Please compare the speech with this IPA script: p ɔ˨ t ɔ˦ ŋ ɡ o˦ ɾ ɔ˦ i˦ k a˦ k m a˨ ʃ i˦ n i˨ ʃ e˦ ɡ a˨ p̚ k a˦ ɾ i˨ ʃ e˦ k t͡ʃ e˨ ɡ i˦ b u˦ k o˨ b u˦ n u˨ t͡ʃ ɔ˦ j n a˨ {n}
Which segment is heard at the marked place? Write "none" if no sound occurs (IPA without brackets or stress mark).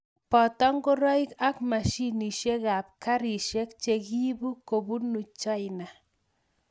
none